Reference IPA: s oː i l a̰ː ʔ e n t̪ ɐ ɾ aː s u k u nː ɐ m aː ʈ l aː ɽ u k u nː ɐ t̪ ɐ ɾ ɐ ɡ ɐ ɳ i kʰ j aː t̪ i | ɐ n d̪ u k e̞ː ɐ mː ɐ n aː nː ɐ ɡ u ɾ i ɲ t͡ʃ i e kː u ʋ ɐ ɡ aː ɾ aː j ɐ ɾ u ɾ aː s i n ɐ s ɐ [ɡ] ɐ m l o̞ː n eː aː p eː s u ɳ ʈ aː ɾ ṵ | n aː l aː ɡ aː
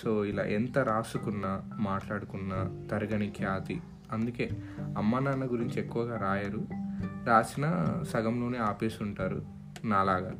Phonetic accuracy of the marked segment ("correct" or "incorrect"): correct